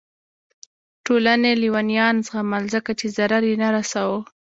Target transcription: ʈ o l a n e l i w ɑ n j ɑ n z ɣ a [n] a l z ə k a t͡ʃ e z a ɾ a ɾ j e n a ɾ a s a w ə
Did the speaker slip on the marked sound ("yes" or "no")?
yes